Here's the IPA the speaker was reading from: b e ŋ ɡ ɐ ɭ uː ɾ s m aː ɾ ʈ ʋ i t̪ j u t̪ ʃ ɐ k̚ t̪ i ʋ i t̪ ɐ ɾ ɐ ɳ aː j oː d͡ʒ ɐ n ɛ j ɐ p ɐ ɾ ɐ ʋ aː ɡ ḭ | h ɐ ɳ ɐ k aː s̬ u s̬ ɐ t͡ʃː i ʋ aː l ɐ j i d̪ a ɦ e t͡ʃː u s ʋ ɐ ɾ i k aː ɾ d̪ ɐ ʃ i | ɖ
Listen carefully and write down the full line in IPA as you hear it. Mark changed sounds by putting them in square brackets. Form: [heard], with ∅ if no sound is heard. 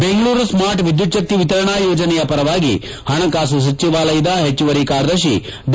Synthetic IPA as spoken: b e ŋ ɡ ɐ ɭ uː ɾ s m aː ɾ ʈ ʋ i [d̪] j u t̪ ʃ ɐ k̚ t̪ i ʋ i t̪ ɐ ɾ ɐ ɳ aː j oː d͡ʒ ɐ n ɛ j ɐ p ɐ ɾ ɐ ʋ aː ɡ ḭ | h ɐ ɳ ɐ k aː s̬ u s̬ ɐ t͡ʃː i ʋ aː l ɐ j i d̪ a ɦ e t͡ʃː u [∅] ʋ ɐ ɾ i k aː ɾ d̪ ɐ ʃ i | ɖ